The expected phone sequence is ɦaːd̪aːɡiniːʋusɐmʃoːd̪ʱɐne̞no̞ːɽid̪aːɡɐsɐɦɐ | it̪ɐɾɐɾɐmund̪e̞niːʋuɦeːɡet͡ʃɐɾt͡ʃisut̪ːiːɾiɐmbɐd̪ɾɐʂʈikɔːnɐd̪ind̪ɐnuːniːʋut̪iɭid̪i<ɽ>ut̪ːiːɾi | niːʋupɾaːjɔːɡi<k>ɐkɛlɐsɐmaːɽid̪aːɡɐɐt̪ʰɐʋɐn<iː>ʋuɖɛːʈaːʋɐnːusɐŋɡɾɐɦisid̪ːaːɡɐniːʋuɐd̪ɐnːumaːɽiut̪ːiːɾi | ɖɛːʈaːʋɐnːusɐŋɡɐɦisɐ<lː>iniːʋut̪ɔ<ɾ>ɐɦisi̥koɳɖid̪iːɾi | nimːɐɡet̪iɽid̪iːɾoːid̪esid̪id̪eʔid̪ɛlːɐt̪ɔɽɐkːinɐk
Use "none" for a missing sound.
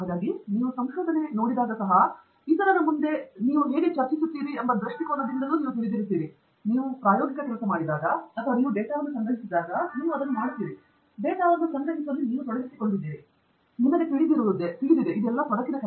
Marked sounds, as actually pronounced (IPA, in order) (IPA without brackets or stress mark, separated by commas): ɾ, k, iː, lː, ɽ